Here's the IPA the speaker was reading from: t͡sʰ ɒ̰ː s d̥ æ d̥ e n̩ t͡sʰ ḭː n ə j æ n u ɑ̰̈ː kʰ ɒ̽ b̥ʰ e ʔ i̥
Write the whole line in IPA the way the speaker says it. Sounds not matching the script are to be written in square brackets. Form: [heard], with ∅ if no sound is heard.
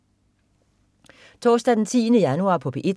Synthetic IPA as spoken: t͡sʰ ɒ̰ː s d̥ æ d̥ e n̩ t͡sʰ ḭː n ə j æ n u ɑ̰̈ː [pʰ] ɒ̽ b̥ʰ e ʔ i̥